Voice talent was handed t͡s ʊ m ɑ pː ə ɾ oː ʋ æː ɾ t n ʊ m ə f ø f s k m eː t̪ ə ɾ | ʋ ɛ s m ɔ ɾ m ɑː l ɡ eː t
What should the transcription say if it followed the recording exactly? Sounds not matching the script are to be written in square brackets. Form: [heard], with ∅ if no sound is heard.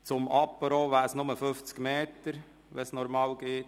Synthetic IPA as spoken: t͡s ʊ m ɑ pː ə ɾ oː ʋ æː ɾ [s] n ʊ m ə f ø f [t͡s] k m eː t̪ ə ɾ | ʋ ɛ s [n] ɔ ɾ m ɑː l ɡ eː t